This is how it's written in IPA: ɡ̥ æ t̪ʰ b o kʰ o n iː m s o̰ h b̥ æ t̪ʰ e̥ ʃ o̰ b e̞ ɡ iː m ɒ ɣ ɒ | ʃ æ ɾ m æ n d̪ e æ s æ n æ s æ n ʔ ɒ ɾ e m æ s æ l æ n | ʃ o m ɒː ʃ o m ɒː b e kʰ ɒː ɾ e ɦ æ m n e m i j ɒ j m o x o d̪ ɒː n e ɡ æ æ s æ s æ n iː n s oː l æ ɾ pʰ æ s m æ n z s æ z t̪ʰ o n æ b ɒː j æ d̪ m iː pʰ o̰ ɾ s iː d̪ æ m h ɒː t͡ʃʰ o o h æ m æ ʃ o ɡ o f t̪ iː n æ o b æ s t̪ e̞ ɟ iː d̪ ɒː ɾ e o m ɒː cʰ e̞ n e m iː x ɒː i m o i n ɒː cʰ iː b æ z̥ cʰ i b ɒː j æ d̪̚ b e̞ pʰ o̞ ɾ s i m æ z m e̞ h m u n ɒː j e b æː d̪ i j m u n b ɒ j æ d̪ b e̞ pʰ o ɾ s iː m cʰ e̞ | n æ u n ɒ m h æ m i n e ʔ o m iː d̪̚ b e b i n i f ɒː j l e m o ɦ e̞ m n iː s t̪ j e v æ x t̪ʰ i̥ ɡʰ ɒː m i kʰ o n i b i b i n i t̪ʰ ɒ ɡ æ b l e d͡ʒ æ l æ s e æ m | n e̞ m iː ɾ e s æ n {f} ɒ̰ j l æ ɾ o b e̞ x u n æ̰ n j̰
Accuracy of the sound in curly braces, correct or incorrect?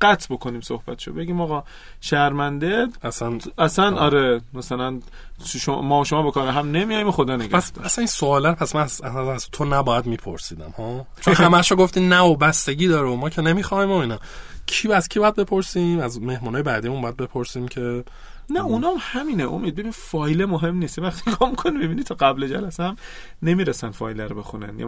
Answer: correct